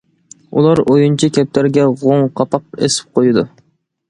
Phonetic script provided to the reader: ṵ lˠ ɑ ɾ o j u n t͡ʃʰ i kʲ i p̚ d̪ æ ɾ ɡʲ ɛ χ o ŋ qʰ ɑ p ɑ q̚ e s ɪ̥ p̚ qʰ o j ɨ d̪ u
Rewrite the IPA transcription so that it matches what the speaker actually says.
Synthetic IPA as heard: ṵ lˠ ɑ ɾ o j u n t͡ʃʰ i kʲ ɛ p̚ t̪ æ ɾ ɡʲ ɛ ʁ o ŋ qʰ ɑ p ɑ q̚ e s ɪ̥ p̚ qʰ o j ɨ d̪ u